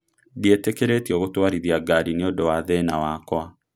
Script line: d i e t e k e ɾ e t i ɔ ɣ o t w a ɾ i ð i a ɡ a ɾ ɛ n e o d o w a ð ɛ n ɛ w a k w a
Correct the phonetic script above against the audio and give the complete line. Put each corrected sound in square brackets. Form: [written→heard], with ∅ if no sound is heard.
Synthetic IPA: d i e t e k e ɾ e t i ɔ ɣ o t w a ɾ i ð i a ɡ a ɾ [ɛ→i] n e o d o w a ð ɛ n [ɛ→a] w a k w a